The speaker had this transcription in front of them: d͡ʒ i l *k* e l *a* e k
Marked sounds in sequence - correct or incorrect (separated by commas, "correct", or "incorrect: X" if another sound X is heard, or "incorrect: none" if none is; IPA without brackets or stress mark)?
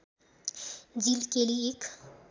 correct, incorrect: i